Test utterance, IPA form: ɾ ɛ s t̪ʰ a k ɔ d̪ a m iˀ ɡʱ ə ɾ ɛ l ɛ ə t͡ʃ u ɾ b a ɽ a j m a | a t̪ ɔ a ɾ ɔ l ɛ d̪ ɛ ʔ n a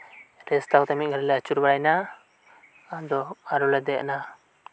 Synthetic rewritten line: ɾ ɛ s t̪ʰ a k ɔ t̪ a m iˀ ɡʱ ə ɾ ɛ l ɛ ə t͡ʃ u ɾ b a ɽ a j n a | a d̪ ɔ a ɾ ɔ l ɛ d̪ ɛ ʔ n a